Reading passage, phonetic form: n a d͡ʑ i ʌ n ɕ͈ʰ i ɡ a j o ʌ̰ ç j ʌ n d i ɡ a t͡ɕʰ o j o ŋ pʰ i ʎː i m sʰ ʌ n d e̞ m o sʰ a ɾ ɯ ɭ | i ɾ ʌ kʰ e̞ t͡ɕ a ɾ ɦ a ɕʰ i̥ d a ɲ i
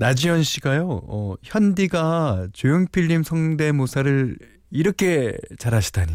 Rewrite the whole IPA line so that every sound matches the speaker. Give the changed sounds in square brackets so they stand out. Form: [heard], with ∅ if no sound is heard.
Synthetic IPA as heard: n a d͡ʑ i ʌ n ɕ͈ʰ i ɡ a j o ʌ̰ ç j ʌ n d i ɡ a [t͡ɕ] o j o ŋ pʰ i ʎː i m sʰ ʌ [ŋ] d e̞ m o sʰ a ɾ ɯ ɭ | i ɾ ʌ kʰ e̞ t͡ɕ a ɾ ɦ a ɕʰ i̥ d a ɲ i